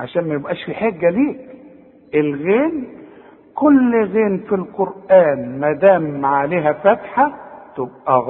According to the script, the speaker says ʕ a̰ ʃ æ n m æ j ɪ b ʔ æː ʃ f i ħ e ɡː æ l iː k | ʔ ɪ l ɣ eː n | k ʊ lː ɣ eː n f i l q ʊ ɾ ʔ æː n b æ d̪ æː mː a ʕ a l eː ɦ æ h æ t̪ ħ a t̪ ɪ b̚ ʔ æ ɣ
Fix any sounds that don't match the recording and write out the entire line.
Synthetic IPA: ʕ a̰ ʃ æː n m æ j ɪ b ʔ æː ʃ f i ħ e ɡː æ l iː k | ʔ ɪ l ɣ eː n | k ʊ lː ɣ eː n f i l q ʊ ɾ ʔ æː n m æ d̪ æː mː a ʕ a l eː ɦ æ f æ t̪ ħ a t̪ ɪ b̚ ʔ æ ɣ